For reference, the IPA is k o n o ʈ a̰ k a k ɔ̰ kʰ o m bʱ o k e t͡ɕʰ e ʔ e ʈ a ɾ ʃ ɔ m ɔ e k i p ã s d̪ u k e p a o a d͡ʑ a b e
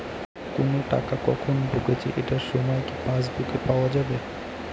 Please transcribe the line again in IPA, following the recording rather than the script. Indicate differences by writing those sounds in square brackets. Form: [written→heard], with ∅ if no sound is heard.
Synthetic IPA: k o n o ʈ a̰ k a k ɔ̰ kʰ o [m→n] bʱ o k e t͡ɕʰ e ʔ e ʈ a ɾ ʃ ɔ m ɔ e k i p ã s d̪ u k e p a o a d͡ʑ a b e